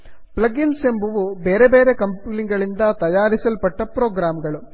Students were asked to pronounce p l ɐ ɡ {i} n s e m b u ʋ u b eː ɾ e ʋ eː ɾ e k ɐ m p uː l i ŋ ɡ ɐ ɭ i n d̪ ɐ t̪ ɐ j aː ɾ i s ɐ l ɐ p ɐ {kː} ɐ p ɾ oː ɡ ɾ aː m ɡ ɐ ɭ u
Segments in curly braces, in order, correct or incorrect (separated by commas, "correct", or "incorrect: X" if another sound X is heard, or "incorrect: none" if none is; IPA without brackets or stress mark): correct, incorrect: ʈː